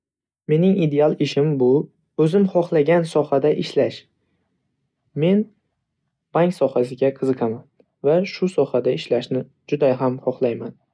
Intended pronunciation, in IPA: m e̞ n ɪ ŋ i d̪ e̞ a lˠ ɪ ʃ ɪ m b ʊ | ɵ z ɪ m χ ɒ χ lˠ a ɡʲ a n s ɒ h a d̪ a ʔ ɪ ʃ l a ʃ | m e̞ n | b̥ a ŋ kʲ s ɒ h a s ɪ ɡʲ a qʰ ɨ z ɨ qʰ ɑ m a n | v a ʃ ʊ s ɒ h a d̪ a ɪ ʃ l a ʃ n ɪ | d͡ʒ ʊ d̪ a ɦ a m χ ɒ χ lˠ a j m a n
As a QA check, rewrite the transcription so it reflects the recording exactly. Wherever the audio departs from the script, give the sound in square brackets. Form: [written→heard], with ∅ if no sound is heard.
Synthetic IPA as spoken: m e̞ n ɪ ŋ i d̪ e̞ a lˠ ɪ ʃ ɪ m b ʊ | ɵ z ɪ m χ ɒ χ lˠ a ɡʲ a n s ɒ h a d̪ a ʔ ɪ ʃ l a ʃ | m e̞ n | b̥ a ŋ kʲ s ɒ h a s ɪ ɡʲ a qʰ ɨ z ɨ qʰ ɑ m a n | v a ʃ ʊ s ɒ h a d̪ a ɪ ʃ l a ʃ n ɪ | d͡ʒ ʊ d̪ a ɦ a m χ ɒ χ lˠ a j m a n